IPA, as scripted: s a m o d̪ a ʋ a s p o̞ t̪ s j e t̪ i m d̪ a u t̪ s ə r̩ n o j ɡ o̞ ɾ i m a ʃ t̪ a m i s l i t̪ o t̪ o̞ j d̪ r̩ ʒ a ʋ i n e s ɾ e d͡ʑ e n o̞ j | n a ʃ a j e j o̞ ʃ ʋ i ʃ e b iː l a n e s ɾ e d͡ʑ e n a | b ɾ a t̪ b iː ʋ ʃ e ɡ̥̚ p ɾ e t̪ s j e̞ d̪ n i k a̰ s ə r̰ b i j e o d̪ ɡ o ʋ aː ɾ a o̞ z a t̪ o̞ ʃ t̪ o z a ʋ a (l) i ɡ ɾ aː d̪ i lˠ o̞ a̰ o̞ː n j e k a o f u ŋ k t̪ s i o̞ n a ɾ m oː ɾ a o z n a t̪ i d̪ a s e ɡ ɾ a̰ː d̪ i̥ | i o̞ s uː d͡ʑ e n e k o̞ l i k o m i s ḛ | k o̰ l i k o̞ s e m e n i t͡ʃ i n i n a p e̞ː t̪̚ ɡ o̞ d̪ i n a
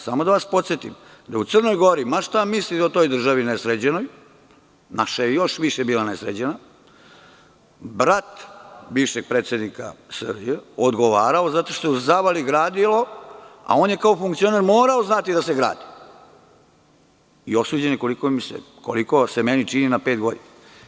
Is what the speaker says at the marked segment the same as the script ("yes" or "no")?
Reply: yes